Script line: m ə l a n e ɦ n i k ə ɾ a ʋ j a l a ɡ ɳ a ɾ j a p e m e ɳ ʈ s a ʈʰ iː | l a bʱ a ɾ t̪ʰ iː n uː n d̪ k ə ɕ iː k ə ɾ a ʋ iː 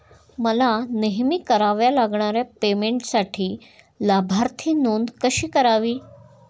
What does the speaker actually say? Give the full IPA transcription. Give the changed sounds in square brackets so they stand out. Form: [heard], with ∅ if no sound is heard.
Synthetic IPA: m ə l a n e ɦ [m] i k ə ɾ a ʋ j a l a ɡ ɳ a ɾ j a p e m e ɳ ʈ s a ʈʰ iː | l a bʱ a ɾ t̪ʰ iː n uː n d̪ k ə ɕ iː k ə ɾ a ʋ iː

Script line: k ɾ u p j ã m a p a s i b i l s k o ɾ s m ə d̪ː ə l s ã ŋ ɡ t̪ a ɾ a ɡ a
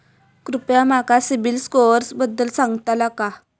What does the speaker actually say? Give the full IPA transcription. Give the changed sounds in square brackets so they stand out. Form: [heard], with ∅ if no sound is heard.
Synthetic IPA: k ɾ u p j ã m a [k] a s i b i l s k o ɾ s [b] ə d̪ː ə l s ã ŋ ɡ t̪ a [l] a [k] a

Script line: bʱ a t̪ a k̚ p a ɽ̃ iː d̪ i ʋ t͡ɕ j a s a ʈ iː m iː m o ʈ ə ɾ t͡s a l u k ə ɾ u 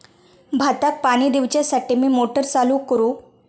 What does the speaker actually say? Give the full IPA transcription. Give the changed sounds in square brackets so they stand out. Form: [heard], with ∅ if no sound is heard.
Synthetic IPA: bʱ a t̪ a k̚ p a ɽ̃ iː d̪ i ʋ t͡ɕ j a s a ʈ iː m iː m o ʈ ə ɾ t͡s a l u k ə ɾ u

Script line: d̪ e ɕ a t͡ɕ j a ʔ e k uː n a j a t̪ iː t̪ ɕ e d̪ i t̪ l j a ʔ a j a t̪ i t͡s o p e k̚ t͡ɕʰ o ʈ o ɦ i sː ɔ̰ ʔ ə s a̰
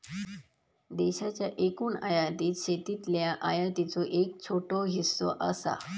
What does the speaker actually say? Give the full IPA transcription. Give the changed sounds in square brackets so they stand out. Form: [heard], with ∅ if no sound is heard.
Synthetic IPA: d̪ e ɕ a t͡ɕ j a ʔ e k uː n a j a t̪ iː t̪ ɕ e [t̪] i t̪ l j a ʔ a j a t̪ i t͡s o [ʔ] e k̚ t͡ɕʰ o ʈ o ɦ i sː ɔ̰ ʔ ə s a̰

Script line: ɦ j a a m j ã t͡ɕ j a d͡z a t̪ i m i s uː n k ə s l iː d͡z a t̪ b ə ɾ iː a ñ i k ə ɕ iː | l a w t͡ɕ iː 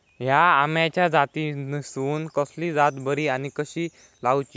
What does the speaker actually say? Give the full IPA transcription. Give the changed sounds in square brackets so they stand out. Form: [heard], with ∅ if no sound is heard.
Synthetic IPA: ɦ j a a m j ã t͡ɕ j a d͡z a t̪ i [n] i s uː n k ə s l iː d͡z a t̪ b ə ɾ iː a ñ i k ə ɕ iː | l a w t͡ɕ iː

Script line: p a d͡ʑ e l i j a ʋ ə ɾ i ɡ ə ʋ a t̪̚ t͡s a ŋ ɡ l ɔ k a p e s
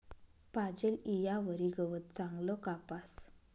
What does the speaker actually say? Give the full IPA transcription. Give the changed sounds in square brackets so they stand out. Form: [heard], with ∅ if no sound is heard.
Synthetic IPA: p a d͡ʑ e l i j a ʋ ə ɾ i ɡ ə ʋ [ə] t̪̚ t͡s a ŋ ɡ l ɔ k a p [a] s

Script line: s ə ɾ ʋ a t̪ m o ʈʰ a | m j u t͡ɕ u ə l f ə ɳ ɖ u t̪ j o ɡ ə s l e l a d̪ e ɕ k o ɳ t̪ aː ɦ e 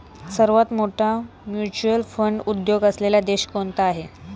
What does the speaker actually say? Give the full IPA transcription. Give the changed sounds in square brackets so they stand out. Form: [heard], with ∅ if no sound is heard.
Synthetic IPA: s ə ɾ ʋ a t̪ m o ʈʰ a | m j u t͡ɕ u ə l f ə ɳ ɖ u [d̪] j o ɡ ə s l e l a d̪ e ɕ k o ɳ t̪ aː ɦ e

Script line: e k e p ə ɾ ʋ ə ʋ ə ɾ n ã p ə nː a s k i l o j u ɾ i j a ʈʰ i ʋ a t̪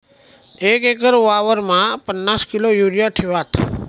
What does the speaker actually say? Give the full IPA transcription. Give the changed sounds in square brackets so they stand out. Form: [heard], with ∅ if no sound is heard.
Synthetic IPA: e k e [k] ə ɾ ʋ [a] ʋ ə ɾ [m] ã p ə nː a s k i l o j u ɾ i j a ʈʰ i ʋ a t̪

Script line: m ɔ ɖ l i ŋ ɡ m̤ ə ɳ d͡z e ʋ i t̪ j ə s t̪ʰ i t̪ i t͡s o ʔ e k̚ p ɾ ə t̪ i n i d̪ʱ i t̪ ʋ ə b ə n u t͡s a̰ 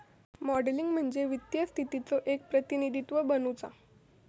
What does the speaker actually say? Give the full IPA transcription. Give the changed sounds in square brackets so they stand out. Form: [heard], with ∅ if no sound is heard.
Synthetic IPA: m ɔ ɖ l i ŋ ɡ m̤ ə ɳ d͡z e ʋ i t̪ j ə s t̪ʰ i t̪ i t͡s o ʔ e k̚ p ɾ ə t̪ i n i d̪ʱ i t̪ ʋ ə b ə n u t͡s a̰

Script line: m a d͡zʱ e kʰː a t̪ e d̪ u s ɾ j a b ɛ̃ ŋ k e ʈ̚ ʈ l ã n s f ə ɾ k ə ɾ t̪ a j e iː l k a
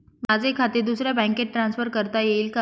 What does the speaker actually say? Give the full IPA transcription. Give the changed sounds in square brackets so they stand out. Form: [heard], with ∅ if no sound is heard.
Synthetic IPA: m a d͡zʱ e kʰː a t̪ e d̪ u s ɾ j a b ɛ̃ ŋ k e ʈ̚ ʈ [ɾ] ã n s f ə ɾ k ə ɾ t̪ a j e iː l k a

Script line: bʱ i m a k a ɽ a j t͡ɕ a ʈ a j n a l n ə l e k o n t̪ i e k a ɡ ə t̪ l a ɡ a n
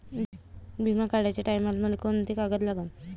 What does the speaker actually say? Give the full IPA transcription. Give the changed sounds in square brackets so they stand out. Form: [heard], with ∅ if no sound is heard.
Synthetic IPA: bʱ i m a k a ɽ a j t͡ɕ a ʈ a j [m] a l [m] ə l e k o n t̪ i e k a ɡ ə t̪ l a ɡ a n

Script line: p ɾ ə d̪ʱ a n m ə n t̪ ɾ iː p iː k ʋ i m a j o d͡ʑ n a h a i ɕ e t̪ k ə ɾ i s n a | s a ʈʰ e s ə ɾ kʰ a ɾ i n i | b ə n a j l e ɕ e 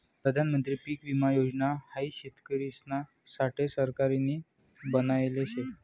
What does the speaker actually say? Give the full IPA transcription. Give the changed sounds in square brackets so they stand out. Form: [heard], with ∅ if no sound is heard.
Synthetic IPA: p ɾ ə d̪ʱ a n m ə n t̪ ɾ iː p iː k ʋ i m a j o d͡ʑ n a h a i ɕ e t̪ k ə ɾ i s n a | s a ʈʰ e s ə ɾ [k] a ɾ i n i | b ə n a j l e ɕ e

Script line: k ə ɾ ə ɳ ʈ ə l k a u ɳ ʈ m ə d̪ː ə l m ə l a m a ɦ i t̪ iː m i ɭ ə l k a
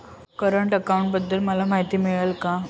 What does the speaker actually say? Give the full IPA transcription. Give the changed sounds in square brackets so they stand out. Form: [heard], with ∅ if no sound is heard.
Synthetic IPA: k ə ɾ ə ɳ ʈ ə [∅] k a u ɳ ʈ [b] ə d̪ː ə l m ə l a m a ɦ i t̪ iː m i ɭ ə l k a

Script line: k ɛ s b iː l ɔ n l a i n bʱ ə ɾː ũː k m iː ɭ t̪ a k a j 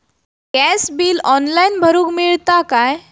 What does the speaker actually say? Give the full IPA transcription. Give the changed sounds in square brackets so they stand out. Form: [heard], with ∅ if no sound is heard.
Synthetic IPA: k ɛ s b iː l ɔ n l a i n bʱ ə [ɾ] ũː k m [i] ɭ t̪ a k a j

